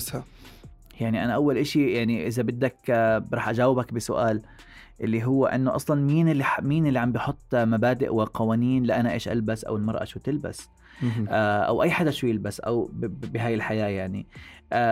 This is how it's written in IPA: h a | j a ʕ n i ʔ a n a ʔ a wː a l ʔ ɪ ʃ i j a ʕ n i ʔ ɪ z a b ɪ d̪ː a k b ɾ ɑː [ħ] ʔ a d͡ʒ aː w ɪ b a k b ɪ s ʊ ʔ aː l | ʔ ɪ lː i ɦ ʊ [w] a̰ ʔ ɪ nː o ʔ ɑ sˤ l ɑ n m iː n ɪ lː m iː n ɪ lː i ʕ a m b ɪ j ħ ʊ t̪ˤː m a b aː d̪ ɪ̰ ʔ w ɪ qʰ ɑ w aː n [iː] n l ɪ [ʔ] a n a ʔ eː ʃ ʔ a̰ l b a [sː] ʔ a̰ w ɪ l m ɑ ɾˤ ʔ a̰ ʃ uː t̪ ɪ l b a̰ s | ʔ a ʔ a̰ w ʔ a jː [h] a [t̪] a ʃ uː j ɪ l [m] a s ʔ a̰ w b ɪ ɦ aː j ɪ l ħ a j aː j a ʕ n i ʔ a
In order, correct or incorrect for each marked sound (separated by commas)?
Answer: correct, incorrect, correct, correct, incorrect, incorrect, incorrect, incorrect